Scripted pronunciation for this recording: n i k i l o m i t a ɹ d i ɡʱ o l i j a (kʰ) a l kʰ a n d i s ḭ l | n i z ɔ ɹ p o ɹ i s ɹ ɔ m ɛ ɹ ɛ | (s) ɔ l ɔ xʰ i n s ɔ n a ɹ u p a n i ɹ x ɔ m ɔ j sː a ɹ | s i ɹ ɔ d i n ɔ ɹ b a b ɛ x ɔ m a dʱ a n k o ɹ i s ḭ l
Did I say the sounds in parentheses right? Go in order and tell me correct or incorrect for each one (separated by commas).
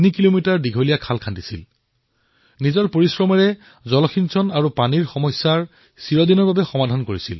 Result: correct, incorrect